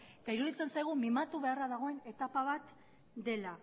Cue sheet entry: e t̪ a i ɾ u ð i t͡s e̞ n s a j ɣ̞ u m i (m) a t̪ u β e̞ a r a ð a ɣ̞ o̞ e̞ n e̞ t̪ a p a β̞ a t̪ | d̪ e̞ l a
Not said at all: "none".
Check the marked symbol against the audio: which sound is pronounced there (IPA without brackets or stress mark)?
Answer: m